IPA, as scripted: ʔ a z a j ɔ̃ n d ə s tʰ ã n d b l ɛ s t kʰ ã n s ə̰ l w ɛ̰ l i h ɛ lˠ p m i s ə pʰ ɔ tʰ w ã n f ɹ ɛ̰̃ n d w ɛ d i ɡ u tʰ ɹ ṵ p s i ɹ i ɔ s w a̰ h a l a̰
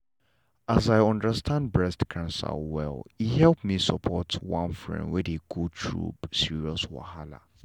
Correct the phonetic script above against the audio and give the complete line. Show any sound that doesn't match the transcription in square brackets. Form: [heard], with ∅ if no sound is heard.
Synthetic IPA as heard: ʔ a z a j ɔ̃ n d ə s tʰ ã n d b [ɹ] ɛ s t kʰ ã n s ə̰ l w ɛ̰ l i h ɛ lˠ p m i s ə pʰ ɔ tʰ w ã n f ɹ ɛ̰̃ n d w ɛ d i ɡ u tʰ ɹ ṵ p s i ɹ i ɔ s w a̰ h a l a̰